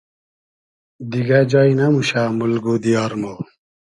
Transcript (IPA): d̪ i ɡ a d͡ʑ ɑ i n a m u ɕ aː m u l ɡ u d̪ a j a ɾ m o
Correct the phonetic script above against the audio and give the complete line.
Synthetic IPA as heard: d̪ i ɡ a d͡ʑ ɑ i n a m u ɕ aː m u l ɡ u d̪ i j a ɾ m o